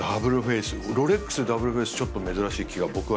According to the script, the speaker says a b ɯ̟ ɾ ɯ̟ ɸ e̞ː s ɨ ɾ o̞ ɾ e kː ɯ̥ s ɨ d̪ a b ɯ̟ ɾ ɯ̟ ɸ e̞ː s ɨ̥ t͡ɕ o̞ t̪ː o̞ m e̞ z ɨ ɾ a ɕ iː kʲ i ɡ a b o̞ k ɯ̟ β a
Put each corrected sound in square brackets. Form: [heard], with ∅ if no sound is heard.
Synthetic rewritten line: a b ɯ̟ ɾ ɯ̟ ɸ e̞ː s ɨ ɾ o̞ ɾ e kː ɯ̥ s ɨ d̪ a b ɯ̟ ɾ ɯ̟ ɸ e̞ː s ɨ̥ t͡ɕ o̞ t̪ː o̞ m e̞ z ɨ ɾ a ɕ iː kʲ i ɡ a b o̞ k ɯ̟ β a